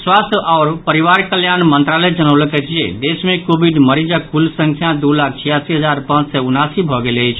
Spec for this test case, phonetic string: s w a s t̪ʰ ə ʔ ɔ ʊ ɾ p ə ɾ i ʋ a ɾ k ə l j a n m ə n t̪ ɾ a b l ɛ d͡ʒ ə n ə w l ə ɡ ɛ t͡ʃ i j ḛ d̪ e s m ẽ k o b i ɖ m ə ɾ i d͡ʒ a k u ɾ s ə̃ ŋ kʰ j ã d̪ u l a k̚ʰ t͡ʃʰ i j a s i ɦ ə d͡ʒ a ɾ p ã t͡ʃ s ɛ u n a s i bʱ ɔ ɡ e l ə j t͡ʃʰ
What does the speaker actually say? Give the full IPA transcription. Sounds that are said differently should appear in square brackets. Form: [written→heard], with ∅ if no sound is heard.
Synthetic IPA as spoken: s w a s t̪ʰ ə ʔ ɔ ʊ ɾ p ə ɾ i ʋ a ɾ k ə l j a n m ə n t̪ ɾ a [b→∅] l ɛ d͡ʒ ə n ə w l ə [ɡ→k] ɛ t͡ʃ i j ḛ d̪ e s m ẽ k o b i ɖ m ə ɾ i d͡ʒ a k u [ɾ→l] s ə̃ ŋ kʰ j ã d̪ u l a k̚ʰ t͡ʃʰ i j a s i ɦ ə d͡ʒ a ɾ p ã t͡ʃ s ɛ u n a s i bʱ ɔ ɡ e l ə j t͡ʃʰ